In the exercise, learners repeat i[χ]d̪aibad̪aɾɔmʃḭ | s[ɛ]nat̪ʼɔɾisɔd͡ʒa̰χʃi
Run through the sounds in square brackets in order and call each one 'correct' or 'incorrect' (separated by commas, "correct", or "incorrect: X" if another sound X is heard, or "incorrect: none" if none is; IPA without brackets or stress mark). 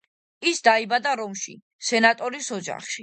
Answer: incorrect: s, correct